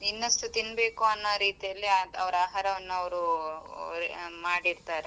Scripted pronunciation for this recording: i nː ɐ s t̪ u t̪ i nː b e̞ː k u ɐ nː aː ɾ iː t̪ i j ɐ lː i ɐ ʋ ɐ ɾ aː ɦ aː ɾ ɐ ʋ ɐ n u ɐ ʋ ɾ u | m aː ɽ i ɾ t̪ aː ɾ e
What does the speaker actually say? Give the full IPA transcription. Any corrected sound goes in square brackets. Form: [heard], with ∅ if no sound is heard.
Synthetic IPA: i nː ɐ s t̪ u t̪ i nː b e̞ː k u ɐ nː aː ɾ iː t̪ i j ɐ lː i ɐ ʋ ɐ ɾ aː ɦ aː ɾ ɐ ʋ ɐ [nː] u ɐ ʋ ɾ u | m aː ɽ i ɾ t̪ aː ɾ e